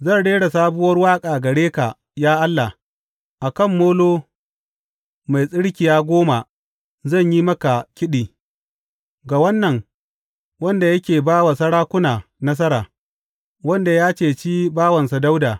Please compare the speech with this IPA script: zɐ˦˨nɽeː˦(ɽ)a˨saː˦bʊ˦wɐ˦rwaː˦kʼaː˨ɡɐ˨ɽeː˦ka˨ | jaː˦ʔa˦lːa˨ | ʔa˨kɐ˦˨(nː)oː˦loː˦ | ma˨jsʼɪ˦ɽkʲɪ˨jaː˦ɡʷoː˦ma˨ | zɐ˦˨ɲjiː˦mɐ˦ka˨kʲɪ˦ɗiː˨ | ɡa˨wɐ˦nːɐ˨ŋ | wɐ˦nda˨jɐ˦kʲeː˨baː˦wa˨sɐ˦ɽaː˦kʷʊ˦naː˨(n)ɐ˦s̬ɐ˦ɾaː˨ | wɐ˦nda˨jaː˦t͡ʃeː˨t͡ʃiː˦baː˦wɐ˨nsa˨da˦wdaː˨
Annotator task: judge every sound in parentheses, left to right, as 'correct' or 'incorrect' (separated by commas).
correct, incorrect, correct